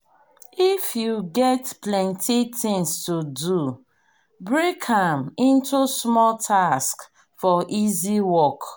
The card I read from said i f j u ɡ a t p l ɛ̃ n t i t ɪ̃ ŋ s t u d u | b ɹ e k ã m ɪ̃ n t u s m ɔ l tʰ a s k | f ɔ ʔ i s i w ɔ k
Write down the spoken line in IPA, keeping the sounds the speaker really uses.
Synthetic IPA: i f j u ɡ ɛ t p l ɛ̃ n t i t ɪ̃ ŋ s t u d u | b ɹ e k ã m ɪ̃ n t u s m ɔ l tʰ a s k | f ɔ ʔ i z i w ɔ k